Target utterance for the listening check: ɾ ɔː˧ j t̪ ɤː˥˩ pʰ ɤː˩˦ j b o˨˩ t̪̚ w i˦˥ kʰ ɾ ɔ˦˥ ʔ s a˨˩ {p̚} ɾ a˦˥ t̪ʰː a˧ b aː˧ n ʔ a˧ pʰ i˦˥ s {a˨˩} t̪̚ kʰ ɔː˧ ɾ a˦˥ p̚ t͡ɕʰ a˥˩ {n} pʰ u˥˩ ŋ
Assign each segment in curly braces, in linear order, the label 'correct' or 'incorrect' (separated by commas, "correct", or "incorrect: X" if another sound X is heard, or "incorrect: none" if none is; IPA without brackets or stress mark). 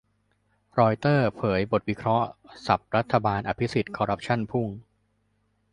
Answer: correct, incorrect: i˨˩, correct